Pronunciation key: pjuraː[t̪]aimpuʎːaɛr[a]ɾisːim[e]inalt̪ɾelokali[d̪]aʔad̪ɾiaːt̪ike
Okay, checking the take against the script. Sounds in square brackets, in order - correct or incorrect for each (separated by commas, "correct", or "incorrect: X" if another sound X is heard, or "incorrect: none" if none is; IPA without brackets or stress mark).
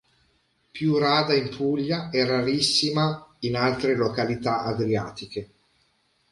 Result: incorrect: d̪, correct, incorrect: a, incorrect: t̪